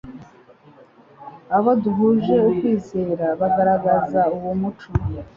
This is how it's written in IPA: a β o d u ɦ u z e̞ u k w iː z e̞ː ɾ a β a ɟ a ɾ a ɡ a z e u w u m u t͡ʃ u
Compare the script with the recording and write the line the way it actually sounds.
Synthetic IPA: a β o d u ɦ u ʒ e̞ u k w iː z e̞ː ɾ a β a ɡ a ɾ a ɡ a z a u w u m u t͡ʃ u